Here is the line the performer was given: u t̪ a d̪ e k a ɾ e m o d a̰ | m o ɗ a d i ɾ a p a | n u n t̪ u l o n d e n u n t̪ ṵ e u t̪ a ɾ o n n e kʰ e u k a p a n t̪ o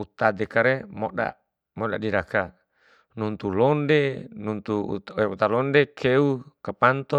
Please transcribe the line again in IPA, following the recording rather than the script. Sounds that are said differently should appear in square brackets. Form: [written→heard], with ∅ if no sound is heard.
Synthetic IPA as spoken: u t̪ a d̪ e k a ɾ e m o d a̰ | m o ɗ a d i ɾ a [p→k] a | n u n t̪ u l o n d e n u n t̪ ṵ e u t̪ a [ɾ→l] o n [n→d] e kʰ e u k a p a n t̪ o